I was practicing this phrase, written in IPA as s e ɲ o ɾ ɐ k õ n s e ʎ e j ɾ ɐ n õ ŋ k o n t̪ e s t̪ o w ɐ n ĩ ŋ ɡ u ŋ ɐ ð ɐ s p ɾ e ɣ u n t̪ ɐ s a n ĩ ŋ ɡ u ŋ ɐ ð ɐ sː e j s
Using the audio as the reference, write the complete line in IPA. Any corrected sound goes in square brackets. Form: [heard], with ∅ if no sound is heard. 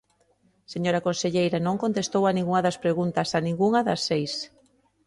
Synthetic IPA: s e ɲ o ɾ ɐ k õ n s e ʎ e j ɾ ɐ n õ ŋ k o n t̪ e s t̪ o w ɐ n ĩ ŋ ɡ u ŋ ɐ ð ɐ s p ɾ e ɣ u n t̪ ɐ s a n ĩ ŋ ɡ u ŋ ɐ ð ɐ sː e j s